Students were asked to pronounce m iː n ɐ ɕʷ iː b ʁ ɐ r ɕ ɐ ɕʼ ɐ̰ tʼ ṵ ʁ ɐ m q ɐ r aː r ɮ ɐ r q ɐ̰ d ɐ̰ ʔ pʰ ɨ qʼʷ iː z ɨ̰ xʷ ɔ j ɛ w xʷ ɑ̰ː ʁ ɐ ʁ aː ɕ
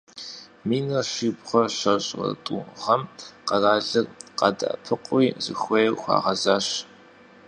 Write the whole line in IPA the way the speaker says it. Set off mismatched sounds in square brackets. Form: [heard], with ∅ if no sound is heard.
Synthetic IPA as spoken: m iː n ɐ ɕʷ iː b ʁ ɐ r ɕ ɐ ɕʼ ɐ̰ tʼ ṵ ʁ ɐ m q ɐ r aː [∅] ɮ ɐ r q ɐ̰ d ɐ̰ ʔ pʰ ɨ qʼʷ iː z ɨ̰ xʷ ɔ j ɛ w xʷ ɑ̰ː ʁ ɐ [z] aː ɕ